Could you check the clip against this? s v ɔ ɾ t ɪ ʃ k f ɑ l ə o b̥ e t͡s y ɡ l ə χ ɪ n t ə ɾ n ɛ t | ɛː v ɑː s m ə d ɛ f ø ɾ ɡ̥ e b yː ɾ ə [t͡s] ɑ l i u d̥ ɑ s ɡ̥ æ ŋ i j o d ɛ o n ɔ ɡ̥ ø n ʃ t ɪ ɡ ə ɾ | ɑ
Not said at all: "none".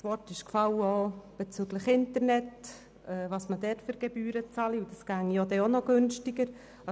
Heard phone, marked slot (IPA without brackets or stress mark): t͡s